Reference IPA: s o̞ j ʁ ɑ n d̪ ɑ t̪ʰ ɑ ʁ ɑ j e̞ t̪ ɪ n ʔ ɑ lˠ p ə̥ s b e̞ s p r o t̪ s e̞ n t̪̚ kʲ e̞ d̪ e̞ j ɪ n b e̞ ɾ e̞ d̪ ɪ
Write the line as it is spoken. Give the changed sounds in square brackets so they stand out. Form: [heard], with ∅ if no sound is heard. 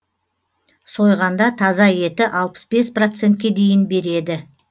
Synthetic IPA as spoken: s o̞ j ʁ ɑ n d̪ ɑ t̪ʰ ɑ [z] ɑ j e̞ t̪ ɪ [∅] ʔ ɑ lˠ p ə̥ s b e̞ s p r o t̪ s e̞ n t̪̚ kʲ e̞ d̪ e̞ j ɪ n b e̞ ɾ e̞ d̪ ɪ